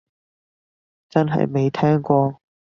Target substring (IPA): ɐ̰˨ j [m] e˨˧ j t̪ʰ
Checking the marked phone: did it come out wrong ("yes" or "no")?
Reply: no